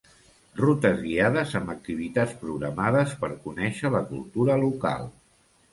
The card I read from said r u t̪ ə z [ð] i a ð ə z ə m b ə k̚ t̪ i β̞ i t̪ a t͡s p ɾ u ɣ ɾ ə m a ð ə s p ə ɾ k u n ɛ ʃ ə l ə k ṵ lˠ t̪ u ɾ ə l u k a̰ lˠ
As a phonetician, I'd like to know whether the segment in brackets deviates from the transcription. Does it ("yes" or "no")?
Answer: yes